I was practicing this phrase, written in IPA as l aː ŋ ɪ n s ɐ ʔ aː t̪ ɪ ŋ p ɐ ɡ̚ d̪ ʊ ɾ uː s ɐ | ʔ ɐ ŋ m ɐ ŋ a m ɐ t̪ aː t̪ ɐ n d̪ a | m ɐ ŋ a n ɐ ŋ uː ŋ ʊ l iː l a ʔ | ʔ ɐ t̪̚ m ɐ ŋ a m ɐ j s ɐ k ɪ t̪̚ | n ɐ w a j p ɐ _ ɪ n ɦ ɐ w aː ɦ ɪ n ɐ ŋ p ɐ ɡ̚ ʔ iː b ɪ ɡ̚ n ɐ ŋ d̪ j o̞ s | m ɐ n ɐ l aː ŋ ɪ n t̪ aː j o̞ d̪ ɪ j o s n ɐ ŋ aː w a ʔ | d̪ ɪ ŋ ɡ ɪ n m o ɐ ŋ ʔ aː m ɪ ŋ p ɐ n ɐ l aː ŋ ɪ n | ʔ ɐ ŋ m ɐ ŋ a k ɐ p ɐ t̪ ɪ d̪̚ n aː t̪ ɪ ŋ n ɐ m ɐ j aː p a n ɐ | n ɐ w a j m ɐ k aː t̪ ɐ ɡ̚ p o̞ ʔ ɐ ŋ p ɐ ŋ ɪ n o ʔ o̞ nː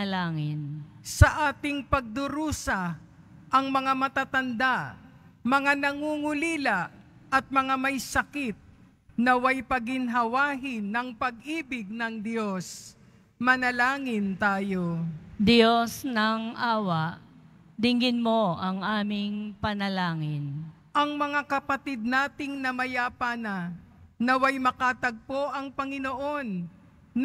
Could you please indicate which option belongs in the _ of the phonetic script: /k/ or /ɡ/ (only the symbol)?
ɡ